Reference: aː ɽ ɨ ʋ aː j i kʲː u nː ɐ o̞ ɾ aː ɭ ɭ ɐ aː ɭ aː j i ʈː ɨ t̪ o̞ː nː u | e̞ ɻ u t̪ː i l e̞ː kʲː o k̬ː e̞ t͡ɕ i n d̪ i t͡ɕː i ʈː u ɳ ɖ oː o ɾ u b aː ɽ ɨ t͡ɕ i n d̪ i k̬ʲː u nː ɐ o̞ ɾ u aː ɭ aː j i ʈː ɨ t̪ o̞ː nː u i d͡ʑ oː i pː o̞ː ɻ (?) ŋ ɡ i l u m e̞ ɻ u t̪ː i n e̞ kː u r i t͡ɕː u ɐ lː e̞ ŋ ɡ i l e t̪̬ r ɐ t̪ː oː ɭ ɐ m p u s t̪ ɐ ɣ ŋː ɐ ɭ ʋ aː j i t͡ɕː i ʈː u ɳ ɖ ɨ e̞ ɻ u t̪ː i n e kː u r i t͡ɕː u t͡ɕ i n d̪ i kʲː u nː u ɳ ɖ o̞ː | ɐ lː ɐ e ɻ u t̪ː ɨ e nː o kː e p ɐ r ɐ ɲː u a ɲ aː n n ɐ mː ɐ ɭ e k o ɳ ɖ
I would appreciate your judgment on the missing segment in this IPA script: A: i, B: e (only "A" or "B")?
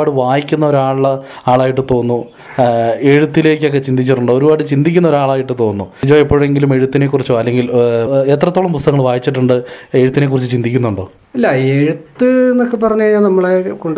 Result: B